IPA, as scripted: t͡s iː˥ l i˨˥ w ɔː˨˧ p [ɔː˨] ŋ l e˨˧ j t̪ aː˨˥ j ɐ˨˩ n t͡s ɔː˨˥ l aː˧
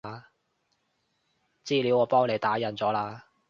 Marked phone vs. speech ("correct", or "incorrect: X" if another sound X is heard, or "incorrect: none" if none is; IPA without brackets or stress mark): incorrect: ɔː˥